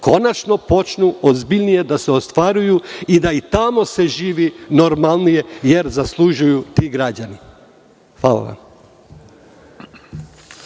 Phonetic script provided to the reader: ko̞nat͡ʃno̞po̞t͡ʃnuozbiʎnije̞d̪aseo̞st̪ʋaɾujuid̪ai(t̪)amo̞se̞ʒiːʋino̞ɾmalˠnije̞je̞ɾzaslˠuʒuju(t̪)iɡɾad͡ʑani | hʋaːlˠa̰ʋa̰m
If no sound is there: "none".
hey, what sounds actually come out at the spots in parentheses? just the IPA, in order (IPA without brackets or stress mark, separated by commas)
t̪, t̪